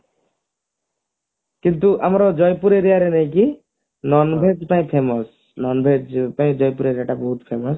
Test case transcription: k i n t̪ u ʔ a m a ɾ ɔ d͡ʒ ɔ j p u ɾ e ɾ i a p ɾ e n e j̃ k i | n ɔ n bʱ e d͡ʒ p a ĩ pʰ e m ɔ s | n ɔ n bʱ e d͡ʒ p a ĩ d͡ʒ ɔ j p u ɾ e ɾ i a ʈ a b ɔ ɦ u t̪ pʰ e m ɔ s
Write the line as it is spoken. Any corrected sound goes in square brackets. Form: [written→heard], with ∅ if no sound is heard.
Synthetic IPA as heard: k i n t̪ u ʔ a m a ɾ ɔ d͡ʒ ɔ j p u ɾ e ɾ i a [p→∅] ɾ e n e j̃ k i | n ɔ n bʱ e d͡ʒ p a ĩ pʰ e m ɔ s | n ɔ n bʱ e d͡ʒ p a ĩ d͡ʒ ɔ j p u ɾ e ɾ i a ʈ a b ɔ ɦ u t̪ pʰ e m ɔ s